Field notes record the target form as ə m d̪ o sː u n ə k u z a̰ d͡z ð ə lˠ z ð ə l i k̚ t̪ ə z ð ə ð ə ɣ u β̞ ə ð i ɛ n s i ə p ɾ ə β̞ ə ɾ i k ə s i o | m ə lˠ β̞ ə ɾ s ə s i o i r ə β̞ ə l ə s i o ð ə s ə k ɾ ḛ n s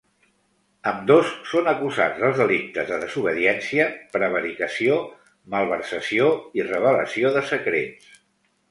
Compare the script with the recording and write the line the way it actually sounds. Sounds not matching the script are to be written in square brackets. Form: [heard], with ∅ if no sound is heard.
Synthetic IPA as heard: ə m d̪ o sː [o] n ə k u z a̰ d͡z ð ə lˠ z ð ə l i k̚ t̪ ə z ð ə ð ə [z] u β̞ ə ð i ɛ n s i ə p ɾ ə β̞ ə ɾ i k ə s i o | m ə lˠ β̞ ə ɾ s ə s i o i r ə β̞ ə l ə s i o ð ə s ə k ɾ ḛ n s